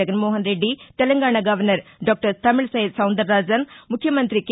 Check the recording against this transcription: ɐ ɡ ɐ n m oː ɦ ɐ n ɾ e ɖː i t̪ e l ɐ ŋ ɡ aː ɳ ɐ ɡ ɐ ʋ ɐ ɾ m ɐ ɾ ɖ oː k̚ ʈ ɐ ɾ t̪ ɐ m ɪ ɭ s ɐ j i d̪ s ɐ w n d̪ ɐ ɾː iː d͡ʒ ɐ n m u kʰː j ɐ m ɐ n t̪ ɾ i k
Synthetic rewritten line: ɐ ɡ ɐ n m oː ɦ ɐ n ɾ e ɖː i t̪ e l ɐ ŋ ɡ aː ɳ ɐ ɡ ɐ ʋ ɐ ɾ n ɐ ɾ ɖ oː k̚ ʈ ɐ ɾ t̪ ɐ m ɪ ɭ s ɐ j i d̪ s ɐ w n d̪ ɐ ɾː aː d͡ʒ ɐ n m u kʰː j ɐ m ɐ n t̪ ɾ i k